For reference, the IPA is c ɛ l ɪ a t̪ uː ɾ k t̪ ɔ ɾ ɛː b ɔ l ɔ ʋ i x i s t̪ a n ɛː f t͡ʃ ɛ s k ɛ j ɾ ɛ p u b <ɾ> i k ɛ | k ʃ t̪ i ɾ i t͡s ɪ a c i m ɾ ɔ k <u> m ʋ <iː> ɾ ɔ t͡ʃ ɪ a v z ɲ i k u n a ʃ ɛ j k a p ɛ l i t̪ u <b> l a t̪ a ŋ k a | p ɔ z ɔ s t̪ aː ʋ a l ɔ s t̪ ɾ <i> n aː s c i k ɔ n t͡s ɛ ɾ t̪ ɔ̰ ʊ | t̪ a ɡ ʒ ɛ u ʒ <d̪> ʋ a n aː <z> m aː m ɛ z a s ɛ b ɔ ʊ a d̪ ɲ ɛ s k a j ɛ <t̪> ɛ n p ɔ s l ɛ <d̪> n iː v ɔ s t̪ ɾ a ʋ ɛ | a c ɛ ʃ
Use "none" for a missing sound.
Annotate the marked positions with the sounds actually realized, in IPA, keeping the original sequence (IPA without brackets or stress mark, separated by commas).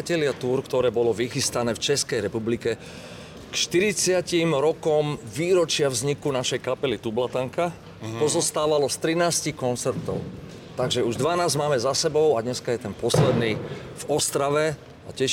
l, ɔ, iː, b, i, d̪, z, t̪, d̪